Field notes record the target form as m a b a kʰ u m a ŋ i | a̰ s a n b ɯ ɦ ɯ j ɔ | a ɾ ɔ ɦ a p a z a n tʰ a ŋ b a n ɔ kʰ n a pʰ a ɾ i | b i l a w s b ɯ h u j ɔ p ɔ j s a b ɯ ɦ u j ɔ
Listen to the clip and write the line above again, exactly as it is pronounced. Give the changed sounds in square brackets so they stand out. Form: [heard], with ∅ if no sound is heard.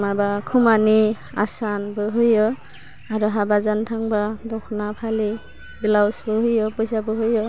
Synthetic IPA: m a b a kʰ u m a [n] i | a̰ s a n b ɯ ɦ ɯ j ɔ | a ɾ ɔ ɦ a [b] a z a n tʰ a ŋ b a [d] ɔ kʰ n a pʰ a [l] i | b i l a w s b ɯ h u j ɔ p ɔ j s a b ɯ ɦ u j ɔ